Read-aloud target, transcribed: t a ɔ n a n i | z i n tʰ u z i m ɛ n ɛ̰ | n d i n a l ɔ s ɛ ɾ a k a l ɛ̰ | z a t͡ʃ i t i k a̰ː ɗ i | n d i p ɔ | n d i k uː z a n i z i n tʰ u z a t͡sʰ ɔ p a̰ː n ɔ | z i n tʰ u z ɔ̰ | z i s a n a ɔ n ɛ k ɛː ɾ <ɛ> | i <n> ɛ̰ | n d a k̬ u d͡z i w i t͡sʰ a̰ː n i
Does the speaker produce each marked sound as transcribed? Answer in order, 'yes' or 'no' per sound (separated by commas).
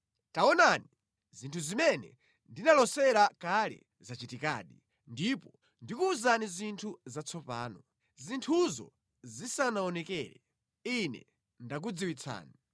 yes, yes